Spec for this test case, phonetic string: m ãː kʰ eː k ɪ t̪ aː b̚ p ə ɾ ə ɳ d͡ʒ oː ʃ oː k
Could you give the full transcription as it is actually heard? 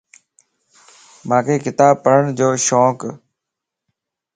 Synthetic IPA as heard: m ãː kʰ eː k ɪ t̪ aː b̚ p ə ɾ ə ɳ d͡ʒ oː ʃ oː k